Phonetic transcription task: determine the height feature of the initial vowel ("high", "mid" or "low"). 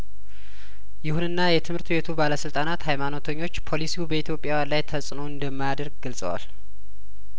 high